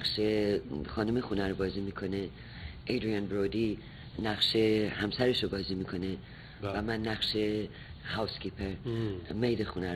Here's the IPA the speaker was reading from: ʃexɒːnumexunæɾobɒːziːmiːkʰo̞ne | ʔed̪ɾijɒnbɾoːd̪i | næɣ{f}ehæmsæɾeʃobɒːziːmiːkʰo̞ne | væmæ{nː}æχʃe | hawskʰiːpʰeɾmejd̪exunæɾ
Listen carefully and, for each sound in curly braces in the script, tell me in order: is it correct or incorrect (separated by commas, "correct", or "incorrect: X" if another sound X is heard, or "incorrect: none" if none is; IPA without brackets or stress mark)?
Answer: incorrect: ʃ, correct